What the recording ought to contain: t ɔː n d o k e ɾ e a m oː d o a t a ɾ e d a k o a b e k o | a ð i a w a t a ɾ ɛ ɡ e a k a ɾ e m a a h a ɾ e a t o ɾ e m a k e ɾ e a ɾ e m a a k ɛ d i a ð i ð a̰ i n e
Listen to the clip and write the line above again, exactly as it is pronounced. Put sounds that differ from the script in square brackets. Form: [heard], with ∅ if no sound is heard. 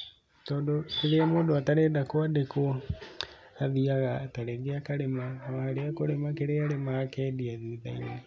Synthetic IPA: t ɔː n d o k e ɾ e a m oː d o a t a ɾ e d a k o a [d] e k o | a ð i a [ɣ] a t a ɾ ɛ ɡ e a k a ɾ e m a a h a ɾ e a [k] o ɾ e m a k e ɾ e a ɾ e m a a k ɛ d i a ð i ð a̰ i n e